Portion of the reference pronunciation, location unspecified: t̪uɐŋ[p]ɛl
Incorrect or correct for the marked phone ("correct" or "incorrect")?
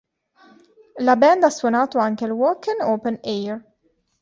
incorrect